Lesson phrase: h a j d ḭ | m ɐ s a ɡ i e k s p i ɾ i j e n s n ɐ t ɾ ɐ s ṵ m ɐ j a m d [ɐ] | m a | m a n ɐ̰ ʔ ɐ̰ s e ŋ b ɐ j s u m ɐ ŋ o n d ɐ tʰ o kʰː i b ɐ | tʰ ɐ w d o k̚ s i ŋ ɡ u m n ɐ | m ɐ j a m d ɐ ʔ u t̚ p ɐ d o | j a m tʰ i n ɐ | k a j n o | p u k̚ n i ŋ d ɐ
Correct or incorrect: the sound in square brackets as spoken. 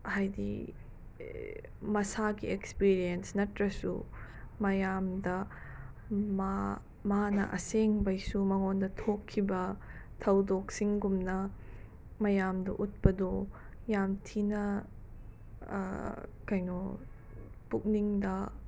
correct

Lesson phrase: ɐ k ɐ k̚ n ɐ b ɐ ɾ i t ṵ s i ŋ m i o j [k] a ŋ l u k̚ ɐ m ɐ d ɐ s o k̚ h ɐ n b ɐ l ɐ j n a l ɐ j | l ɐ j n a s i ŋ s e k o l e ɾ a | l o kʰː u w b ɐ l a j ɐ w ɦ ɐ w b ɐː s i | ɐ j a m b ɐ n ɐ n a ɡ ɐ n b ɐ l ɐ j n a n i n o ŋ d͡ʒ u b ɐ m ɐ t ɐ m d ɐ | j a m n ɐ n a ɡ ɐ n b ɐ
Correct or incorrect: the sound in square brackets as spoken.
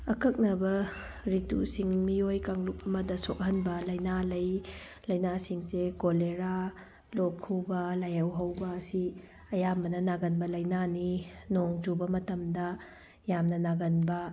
correct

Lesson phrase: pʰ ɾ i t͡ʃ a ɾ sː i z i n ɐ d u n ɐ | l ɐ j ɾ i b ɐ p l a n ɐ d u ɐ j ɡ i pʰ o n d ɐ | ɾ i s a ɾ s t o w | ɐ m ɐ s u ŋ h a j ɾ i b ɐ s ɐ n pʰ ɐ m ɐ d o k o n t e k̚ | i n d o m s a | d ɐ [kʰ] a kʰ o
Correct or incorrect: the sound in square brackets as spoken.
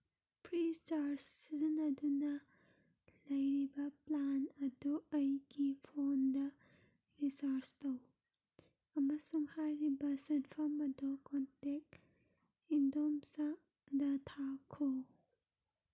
incorrect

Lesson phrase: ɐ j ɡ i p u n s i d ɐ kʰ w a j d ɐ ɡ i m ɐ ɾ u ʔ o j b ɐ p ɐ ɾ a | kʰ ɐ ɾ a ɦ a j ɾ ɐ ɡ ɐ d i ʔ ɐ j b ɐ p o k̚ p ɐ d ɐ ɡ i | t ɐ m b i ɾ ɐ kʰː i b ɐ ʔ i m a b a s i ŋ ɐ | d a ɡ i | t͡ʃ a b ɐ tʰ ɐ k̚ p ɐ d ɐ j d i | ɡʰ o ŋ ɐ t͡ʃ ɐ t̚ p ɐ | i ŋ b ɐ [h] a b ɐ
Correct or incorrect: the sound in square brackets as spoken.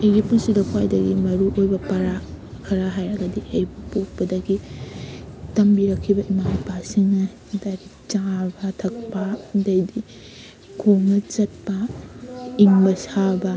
incorrect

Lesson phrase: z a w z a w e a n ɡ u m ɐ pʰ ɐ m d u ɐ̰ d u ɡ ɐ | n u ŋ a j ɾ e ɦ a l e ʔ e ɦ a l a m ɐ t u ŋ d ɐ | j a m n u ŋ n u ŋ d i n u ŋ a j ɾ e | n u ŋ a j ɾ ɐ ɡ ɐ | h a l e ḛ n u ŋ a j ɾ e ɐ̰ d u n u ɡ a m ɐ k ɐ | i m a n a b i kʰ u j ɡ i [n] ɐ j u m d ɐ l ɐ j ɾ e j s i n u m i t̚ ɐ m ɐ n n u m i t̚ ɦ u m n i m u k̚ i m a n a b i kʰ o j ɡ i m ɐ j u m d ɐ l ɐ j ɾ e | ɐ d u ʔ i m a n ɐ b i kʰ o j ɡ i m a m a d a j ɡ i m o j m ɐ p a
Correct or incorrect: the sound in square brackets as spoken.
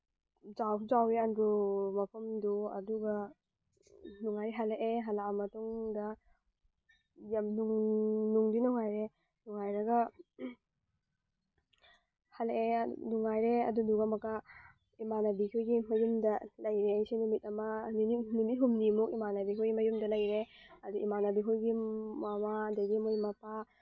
incorrect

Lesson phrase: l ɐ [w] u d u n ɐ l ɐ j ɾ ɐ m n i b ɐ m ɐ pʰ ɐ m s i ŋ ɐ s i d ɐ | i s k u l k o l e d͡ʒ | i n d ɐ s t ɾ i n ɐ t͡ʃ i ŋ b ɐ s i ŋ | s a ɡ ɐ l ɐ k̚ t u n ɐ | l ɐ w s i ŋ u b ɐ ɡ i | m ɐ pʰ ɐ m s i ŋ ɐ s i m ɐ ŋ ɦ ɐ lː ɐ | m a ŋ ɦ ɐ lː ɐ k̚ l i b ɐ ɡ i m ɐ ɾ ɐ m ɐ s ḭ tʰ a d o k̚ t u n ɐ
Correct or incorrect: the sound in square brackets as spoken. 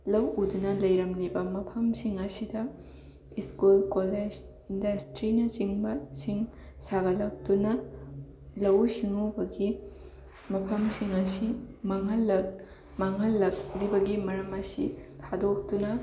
correct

